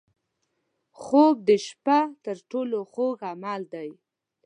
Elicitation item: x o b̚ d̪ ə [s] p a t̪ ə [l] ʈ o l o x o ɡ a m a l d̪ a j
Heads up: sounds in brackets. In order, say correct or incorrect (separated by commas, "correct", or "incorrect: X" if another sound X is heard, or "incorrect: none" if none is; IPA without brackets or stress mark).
incorrect: ʃ, incorrect: ɾ